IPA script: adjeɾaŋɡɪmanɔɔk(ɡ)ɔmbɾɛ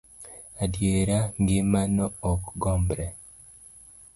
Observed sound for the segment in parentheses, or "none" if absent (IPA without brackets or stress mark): ɡ